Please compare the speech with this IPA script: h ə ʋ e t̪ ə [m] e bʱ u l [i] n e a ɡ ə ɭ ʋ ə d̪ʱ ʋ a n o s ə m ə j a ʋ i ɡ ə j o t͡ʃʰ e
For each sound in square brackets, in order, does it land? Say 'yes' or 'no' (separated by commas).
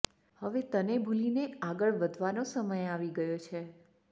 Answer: no, yes